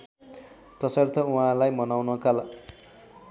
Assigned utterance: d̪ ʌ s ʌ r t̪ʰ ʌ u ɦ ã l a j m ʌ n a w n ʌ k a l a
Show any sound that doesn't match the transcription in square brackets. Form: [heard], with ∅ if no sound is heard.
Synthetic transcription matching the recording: [t̪] ʌ s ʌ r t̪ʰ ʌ u ɦ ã l a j m ʌ n a w n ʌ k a l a